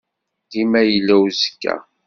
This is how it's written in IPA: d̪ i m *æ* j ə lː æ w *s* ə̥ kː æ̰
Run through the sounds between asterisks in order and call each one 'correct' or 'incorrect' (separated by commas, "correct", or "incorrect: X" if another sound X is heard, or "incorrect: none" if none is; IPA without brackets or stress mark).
correct, incorrect: z